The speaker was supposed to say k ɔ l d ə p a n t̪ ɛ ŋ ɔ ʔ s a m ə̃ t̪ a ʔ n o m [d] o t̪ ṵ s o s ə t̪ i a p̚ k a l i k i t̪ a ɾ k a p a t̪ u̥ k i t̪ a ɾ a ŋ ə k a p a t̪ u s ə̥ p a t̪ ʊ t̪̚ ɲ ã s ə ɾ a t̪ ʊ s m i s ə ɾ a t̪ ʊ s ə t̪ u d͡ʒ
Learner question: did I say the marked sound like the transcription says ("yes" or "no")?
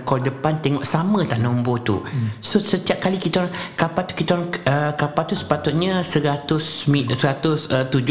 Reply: no